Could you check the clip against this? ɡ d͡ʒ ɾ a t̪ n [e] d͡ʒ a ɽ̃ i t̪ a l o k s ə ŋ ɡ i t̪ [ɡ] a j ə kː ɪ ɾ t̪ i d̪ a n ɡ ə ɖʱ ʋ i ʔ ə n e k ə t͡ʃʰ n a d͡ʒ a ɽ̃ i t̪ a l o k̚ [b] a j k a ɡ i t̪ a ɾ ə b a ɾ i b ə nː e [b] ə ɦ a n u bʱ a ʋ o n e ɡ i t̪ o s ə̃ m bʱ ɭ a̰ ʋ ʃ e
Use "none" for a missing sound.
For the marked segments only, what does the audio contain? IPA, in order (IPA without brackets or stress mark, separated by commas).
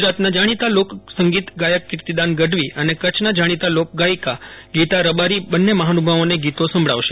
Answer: a, ɡ, ɡ, m